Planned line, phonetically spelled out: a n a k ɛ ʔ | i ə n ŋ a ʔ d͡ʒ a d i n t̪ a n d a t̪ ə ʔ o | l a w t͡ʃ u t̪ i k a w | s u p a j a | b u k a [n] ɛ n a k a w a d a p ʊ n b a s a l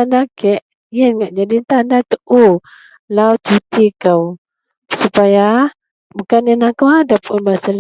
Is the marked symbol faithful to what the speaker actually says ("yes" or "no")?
yes